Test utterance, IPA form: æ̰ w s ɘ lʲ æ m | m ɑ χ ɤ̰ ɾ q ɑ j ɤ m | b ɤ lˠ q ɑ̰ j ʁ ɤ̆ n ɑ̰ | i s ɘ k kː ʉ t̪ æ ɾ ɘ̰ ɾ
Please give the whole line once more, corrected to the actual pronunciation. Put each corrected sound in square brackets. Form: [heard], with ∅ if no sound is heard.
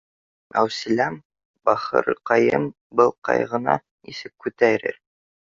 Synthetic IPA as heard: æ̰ w s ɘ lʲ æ m | [b] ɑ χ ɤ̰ ɾ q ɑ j ɤ m | b ɤ lˠ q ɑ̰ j ʁ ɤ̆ n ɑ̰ | i s ɘ k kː ʉ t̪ æ ɾ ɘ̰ ɾ